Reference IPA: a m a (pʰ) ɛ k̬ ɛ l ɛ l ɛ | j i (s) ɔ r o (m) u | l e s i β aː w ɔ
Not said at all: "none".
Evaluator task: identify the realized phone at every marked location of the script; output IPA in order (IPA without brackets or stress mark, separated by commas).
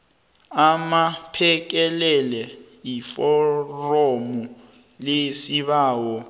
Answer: pʰ, f, m